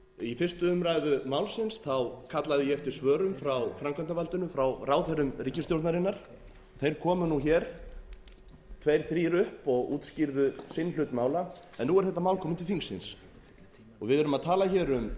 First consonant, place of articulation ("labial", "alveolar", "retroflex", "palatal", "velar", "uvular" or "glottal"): labial